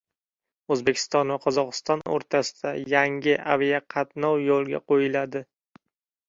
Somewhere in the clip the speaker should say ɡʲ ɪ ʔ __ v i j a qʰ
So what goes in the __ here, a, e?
a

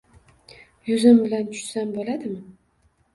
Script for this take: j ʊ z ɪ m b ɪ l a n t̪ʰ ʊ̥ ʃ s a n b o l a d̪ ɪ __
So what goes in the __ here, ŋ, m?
m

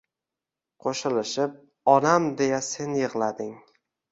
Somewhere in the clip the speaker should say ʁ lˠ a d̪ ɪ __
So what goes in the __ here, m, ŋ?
ŋ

